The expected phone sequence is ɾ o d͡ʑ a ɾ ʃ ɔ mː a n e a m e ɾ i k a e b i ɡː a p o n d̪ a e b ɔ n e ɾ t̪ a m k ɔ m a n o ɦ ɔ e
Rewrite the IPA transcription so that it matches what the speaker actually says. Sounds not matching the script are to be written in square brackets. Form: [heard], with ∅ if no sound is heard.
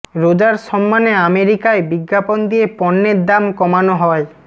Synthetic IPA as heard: ɾ o d͡ʑ a ɾ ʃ ɔ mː a n e a m e ɾ i k a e b i ɡː a p o n d̪ [i] e [p] ɔ [nː] e ɾ [d̪] a m k ɔ m a n o ɦ ɔ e